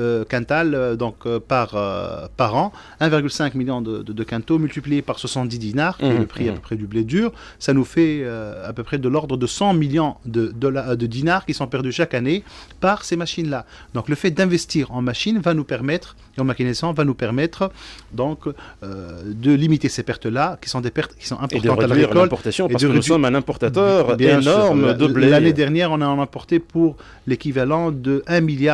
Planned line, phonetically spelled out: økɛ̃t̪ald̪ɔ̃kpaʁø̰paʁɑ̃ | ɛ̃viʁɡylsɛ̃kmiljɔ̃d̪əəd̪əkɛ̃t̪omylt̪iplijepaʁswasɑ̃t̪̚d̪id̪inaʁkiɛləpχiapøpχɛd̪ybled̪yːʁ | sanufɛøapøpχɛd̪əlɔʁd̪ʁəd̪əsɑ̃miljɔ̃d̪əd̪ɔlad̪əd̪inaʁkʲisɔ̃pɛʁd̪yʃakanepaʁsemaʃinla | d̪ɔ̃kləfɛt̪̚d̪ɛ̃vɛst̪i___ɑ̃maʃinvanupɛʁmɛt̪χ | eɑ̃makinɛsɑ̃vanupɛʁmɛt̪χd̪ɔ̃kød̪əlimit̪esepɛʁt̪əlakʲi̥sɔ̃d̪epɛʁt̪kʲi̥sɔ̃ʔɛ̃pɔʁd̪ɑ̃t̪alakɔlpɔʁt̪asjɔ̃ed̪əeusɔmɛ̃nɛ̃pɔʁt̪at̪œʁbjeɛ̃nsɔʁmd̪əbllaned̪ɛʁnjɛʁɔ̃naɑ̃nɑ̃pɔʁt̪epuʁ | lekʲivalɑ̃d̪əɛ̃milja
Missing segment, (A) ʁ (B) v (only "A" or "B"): A